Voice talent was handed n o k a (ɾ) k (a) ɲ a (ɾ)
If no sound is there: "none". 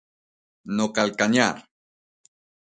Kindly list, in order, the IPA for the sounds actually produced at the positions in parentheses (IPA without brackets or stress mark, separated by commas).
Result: l, a, ɾ